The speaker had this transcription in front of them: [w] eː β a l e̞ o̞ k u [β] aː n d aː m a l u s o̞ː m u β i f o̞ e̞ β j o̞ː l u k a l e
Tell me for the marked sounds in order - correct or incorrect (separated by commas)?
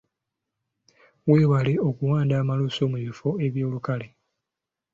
correct, incorrect